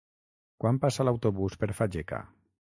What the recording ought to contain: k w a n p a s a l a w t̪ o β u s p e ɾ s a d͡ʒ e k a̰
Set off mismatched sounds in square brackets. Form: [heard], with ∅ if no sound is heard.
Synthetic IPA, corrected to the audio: k w a [m] p a s a l a w t̪ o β u s p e ɾ [f] a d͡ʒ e k a̰